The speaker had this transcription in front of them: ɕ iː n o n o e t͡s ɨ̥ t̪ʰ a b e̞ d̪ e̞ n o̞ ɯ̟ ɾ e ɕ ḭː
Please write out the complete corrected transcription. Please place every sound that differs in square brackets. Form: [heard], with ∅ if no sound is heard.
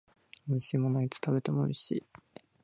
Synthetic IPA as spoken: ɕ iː [m] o n o [i] t͡s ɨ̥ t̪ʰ a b e̞ [t̪] e̞ [m] o̞ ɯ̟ ɾ e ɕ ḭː